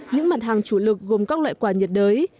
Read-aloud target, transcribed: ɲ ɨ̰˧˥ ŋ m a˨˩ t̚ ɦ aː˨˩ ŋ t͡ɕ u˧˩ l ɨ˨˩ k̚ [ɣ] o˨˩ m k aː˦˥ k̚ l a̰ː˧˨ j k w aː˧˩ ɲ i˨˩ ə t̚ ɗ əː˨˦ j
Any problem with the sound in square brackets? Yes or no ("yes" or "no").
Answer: no